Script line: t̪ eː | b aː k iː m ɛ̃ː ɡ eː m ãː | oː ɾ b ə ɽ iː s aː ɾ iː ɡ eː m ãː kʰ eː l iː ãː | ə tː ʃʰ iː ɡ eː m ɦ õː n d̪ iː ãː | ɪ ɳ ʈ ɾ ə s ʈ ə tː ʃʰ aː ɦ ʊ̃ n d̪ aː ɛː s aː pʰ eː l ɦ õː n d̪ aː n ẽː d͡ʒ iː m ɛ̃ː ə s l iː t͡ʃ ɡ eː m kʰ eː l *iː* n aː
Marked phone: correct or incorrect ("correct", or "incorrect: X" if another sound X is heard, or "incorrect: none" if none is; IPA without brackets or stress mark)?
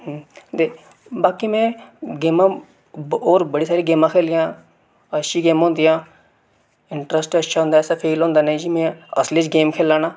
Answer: incorrect: aː